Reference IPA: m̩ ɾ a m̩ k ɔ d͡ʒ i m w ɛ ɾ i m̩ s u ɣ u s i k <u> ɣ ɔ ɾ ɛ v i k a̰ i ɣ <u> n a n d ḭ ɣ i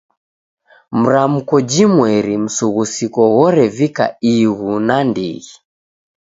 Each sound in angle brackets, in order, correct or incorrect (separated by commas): incorrect, correct